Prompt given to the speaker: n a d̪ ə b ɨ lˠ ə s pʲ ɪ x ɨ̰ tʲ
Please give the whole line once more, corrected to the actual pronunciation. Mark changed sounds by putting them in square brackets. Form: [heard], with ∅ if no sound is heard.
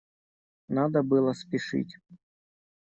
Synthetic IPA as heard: n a d̪ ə b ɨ lˠ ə s pʲ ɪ [ʂ] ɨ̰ tʲ